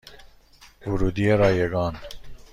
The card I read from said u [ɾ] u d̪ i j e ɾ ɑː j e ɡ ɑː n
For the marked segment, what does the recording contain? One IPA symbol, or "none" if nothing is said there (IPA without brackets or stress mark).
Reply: ɾ